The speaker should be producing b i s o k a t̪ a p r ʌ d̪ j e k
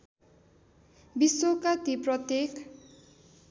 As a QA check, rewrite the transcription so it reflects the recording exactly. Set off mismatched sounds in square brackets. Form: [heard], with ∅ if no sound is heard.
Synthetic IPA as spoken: b i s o k a t̪ [i] p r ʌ [t̪] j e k